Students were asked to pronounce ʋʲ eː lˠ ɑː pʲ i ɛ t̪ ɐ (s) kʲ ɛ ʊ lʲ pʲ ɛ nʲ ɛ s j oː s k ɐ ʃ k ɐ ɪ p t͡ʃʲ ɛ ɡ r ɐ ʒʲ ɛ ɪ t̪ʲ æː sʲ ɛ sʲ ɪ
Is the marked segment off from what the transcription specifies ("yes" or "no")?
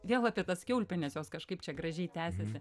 no